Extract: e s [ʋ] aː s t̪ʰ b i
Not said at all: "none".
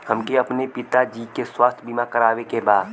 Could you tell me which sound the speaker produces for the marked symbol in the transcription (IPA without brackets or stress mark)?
w